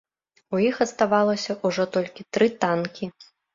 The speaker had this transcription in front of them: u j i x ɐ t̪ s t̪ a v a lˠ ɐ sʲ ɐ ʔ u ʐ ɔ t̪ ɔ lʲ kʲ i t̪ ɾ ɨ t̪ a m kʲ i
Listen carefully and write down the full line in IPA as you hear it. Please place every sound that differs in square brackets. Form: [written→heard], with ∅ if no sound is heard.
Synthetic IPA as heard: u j i x ɐ t̪ s t̪ a v a lˠ ɐ sʲ ɐ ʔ u ʐ ɔ t̪ ɔ lʲ kʲ i t̪ ɾ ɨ t̪ a [m→n] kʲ i